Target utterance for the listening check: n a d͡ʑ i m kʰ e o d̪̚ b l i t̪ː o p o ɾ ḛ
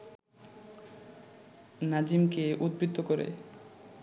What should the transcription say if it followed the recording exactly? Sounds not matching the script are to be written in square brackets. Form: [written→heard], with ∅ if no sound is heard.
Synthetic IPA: n a d͡ʑ i m [kʰ→k] e [o→u] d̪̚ b [l→ɾ] i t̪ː o [p→k] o ɾ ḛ